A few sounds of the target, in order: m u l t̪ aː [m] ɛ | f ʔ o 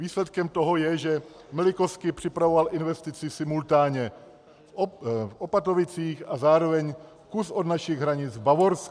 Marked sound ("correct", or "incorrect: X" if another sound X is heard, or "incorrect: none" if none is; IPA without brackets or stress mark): incorrect: ɲ